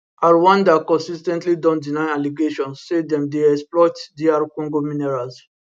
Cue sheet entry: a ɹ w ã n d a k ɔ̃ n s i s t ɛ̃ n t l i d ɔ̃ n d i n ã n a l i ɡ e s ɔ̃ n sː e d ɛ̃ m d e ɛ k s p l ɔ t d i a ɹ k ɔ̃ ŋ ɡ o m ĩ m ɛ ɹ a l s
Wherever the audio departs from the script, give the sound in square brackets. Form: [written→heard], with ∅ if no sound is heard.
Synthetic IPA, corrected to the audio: a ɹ w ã n d a k ɔ̃ n s i s t ɛ̃ n t l i d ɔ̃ n d i n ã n a l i ɡ e [s→ʃ] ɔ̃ n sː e d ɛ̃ m d e ɛ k s p l ɔ t d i a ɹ k ɔ̃ ŋ ɡ o m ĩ [m→n] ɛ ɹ a l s